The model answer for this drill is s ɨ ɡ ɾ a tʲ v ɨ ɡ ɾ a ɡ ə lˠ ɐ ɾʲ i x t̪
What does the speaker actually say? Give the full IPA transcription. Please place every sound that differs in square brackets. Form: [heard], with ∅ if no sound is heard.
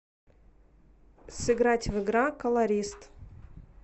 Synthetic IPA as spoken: s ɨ ɡ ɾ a tʲ v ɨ ɡ ɾ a [k] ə lˠ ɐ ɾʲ i [s] t̪